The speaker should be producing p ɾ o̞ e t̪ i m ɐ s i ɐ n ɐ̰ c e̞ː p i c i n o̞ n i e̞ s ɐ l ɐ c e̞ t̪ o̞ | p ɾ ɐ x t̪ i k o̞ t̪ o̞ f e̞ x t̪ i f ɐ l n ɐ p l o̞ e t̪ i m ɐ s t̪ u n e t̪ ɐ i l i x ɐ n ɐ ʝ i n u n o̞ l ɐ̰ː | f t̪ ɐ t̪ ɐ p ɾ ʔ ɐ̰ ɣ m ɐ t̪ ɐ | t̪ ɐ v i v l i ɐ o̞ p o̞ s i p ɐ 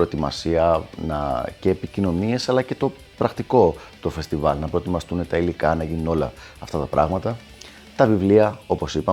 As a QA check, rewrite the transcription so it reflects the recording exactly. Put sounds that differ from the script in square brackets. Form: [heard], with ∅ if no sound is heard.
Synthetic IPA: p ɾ o̞ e t̪ i m ɐ s i ɐ n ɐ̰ c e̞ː p i c i n o̞ n i e̞ s ɐ l ɐ c e̞ t̪ o̞ | p ɾ ɐ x t̪ i k o̞ t̪ o̞ f e̞ [s] t̪ i [v] ɐ l n ɐ p [ɾ] o̞ e t̪ i m ɐ s t̪ u n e t̪ ɐ i l i [k] ɐ n ɐ ʝ i n u n o̞ l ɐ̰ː | f t̪ ɐ t̪ ɐ p ɾ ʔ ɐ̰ ɣ m ɐ t̪ ɐ | t̪ ɐ v i v l i ɐ o̞ p o̞ s i p ɐ